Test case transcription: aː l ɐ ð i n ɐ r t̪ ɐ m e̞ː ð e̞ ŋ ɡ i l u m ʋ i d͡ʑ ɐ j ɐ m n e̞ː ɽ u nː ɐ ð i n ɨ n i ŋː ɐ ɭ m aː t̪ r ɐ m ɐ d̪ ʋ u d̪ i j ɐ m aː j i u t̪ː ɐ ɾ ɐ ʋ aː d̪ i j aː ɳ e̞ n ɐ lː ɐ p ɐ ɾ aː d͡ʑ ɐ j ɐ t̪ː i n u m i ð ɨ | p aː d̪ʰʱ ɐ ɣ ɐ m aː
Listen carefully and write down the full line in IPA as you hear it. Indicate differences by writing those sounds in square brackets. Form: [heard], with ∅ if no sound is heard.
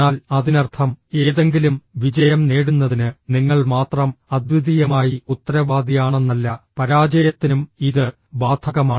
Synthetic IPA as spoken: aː l ɐ ð i n ɐ r [t̪ʰ] ɐ m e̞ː ð e̞ ŋ ɡ i l u m ʋ i d͡ʑ ɐ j ɐ m n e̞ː ɽ u nː ɐ ð i n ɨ n i ŋː ɐ ɭ m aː t̪ r ɐ m ɐ d̪ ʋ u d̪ i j ɐ m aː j i u t̪ː ɐ ɾ ɐ ʋ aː d̪ i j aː ɳ e̞ [nː] ɐ lː ɐ p ɐ ɾ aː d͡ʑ ɐ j ɐ t̪ː i n u m i ð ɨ | [b] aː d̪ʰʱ ɐ ɣ ɐ m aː